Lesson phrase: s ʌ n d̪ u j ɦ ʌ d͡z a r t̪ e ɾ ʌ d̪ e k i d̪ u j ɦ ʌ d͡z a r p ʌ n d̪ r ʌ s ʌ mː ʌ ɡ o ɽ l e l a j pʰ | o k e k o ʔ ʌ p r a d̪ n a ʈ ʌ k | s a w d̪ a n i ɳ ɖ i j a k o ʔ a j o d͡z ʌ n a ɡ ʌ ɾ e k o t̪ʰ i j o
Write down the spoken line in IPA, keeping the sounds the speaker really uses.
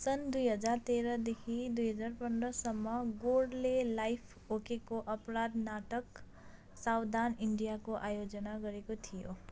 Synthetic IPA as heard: s ʌ n d̪ u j ɦ ʌ d͡z a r t̪ e ɾ ʌ d̪ e kʰ i d̪ u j ɦ ʌ d͡z a r p ʌ n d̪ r ʌ s ʌ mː ʌ ɡ o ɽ l e l a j pʰ | o k e k o ʔ ʌ p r a d̪ n a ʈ ʌ k | s a w d̪ a n i ɳ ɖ i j a k o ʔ a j o d͡z ʌ n a ɡ ʌ ɾ e k o t̪ʰ i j o

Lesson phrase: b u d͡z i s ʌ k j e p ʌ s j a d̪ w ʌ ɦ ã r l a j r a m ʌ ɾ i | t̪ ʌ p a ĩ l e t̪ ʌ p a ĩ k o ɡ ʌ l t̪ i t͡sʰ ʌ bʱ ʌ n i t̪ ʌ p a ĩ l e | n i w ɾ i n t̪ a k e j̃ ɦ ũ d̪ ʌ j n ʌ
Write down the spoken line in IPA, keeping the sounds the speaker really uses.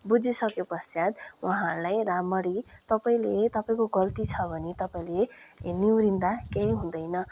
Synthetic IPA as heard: b u d͡z i s ʌ k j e p ʌ s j a d̪ w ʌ ɦ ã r l a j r a m ʌ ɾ i | t̪ ʌ p a ĩ l e t̪ ʌ p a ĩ k o ɡ ʌ l t̪ i t͡sʰ ʌ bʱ ʌ n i t̪ ʌ p a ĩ l e | n i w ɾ i n d̪ a k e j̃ ɦ ũ d̪ ʌ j n ʌ

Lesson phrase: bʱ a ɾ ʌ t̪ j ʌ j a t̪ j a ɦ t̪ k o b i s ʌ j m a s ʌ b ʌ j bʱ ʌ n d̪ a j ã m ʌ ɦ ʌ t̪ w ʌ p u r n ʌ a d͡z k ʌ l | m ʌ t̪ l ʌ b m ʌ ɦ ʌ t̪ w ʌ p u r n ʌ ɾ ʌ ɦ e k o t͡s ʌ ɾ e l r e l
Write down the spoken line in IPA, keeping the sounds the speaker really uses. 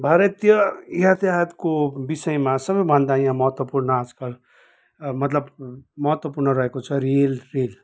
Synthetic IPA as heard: bʱ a ɾ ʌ t̪ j ʌ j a t̪ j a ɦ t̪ k o b i s ʌ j m a s ʌ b ʌ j bʱ ʌ n d̪ a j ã m ʌ ɦ ʌ t̪ w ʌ p u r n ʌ a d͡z k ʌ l | m ʌ t̪ l ʌ b m ʌ ɦ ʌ t̪ w ʌ p u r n ʌ ɾ ʌ ɦ e k o t͡sʰ ʌ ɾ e l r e l

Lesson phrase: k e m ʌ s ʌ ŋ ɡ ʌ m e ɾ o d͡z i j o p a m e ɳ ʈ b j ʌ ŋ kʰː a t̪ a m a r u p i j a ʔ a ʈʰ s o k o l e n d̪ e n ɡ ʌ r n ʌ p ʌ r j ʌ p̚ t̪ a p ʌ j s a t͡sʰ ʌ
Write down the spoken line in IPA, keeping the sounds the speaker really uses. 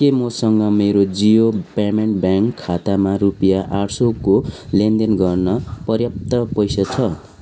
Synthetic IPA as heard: k e m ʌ s ʌ ŋ ɡ ʌ m e ɾ o d͡z i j o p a m e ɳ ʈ b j a ŋ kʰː a t̪ a m a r u p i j a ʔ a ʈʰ s o k o l e n d̪ e n ɡ ʌ r n ʌ p ʌ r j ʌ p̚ t̪ ʌ p ʌ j s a t͡sʰ ʌ

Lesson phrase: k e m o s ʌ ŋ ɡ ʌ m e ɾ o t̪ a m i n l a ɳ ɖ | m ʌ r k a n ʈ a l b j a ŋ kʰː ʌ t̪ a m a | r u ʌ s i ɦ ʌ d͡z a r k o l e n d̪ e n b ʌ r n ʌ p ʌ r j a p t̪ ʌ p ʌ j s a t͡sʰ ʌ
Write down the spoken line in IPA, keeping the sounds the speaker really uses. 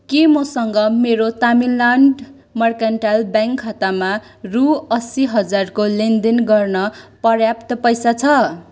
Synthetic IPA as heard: k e m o s ʌ ŋ ɡ ʌ m e ɾ o t̪ a m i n l a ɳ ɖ | m ʌ r k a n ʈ a l b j a ŋ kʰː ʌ t̪ a m a | r u ʌ s i ɦ ʌ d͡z a r k o l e n d̪ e n ɡ ʌ r n ʌ p ʌ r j a p t̪ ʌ p ʌ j s a t͡sʰ ʌ

